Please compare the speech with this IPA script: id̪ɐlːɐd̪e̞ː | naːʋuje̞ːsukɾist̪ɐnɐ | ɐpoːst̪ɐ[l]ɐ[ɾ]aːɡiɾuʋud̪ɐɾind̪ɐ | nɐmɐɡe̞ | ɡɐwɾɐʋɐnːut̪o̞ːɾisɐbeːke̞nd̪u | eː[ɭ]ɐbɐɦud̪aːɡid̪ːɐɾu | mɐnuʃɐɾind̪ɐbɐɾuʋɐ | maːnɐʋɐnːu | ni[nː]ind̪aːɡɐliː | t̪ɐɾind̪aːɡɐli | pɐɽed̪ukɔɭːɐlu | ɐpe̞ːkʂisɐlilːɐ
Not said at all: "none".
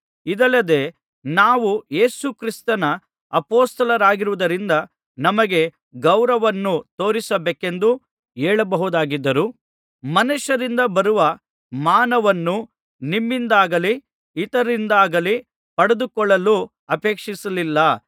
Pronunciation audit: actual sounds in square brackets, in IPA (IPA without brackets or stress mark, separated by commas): l, ɾ, ɭ, mː